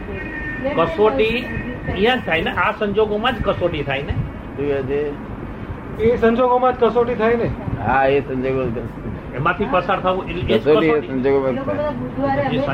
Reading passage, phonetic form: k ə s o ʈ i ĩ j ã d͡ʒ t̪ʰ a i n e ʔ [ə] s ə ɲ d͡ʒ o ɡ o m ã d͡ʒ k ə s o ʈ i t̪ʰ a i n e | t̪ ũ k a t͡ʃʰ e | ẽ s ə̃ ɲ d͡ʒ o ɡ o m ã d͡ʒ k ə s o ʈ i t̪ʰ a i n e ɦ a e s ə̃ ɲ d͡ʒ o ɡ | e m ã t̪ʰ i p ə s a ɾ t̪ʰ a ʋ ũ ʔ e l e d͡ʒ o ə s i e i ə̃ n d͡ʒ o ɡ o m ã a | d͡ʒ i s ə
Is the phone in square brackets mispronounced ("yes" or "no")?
yes